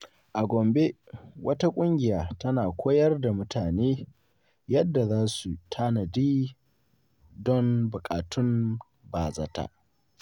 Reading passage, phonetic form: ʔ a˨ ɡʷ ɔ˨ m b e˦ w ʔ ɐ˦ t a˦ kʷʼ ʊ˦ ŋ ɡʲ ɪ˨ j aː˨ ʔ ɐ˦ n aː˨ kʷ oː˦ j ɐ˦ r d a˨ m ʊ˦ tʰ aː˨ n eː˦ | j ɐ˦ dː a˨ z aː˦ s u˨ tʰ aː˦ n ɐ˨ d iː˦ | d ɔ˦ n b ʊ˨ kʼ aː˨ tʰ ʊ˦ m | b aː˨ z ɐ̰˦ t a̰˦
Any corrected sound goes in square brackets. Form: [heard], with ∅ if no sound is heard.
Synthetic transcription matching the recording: ʔ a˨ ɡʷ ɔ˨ m b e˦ w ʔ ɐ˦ t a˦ kʷʼ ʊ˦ ŋ ɡʲ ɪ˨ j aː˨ [t] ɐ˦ n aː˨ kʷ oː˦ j ɐ˦ r d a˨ m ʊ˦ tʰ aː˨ n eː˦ | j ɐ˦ dː a˨ z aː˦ s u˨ tʰ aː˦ n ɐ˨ d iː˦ | d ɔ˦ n b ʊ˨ kʼ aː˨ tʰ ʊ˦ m | b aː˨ z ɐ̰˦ t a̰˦